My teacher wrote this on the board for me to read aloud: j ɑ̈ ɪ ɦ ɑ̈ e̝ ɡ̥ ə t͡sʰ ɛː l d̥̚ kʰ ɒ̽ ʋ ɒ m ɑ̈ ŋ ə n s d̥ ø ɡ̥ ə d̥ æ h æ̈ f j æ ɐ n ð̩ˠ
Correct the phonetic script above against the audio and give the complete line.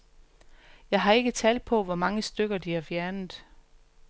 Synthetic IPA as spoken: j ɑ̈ ɪ ɦ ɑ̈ e̝ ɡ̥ ə t͡sʰ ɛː l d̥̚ pʰ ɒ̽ ʋ ɒ m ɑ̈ ŋ ə s d̥ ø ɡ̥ ɐ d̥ i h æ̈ f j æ ɐ n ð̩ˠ